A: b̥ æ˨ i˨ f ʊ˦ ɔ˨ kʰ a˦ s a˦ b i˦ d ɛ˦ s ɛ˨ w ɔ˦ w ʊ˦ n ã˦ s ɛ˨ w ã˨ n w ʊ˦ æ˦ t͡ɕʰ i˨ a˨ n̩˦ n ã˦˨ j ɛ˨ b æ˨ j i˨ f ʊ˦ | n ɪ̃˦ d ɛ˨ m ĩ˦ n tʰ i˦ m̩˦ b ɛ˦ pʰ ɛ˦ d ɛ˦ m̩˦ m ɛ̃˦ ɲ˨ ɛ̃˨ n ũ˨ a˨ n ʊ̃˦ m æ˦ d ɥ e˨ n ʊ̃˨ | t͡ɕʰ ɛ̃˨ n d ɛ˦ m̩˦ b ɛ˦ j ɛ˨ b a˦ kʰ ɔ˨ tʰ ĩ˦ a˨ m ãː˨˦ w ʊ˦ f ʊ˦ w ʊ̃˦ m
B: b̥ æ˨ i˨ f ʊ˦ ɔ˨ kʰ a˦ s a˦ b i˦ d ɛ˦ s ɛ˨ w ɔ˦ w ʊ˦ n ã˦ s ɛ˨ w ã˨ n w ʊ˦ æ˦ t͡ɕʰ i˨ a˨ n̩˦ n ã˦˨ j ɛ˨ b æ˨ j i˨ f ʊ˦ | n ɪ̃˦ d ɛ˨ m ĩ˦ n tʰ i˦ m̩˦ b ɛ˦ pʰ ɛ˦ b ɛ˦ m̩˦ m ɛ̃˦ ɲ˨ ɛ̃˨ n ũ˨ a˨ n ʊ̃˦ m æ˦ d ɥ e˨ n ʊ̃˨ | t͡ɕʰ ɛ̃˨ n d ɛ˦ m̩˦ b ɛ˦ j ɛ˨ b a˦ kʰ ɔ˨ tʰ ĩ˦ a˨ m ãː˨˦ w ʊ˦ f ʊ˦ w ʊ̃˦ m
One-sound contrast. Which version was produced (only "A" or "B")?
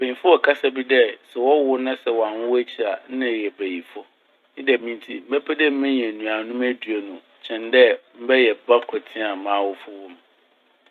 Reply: A